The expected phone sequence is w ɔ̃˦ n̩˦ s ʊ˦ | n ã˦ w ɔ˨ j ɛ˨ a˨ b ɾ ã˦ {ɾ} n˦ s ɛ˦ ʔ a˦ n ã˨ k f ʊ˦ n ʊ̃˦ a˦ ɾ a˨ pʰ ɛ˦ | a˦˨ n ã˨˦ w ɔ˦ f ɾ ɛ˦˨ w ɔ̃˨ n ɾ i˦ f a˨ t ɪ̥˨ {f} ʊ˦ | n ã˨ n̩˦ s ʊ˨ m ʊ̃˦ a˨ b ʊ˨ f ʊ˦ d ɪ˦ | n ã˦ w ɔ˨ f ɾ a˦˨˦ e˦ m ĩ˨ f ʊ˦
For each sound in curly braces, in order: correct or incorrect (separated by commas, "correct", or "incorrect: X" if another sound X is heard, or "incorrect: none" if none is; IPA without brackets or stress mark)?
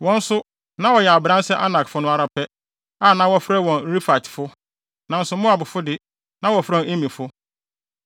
incorrect: none, correct